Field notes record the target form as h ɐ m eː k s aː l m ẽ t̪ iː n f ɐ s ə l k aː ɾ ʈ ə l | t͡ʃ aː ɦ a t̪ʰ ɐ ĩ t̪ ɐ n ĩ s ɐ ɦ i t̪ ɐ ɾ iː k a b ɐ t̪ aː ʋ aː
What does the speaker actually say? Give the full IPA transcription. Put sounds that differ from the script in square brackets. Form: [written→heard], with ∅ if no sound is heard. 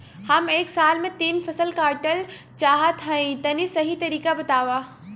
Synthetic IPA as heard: h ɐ m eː k s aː l m ẽ t̪ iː n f ɐ s ə l k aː ɾ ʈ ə l | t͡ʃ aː ɦ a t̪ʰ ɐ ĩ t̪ ɐ n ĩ s ɐ ɦ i t̪ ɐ ɾ iː k a b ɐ t̪ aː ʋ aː